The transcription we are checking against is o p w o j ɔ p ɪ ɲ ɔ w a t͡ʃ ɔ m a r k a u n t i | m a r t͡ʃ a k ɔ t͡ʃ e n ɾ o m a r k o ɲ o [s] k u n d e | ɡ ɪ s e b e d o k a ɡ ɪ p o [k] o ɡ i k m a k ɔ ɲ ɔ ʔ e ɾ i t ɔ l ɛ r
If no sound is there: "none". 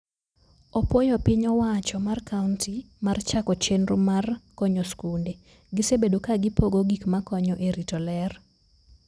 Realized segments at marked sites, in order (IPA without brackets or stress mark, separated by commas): s, ɡ